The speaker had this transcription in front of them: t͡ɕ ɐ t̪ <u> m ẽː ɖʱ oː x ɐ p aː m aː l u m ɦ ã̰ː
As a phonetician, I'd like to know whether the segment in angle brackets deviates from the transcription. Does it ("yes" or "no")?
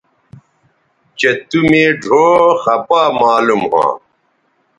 no